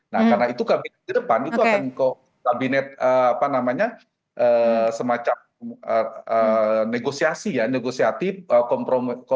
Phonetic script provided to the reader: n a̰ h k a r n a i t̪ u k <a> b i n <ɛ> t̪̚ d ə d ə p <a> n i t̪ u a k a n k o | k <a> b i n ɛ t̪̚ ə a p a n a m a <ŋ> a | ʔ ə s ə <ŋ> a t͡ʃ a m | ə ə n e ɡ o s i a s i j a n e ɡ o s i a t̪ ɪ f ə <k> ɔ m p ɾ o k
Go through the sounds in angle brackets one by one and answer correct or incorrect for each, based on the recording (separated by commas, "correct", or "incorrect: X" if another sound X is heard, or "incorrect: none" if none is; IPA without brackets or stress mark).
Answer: correct, correct, correct, correct, incorrect: ɲ, incorrect: m, correct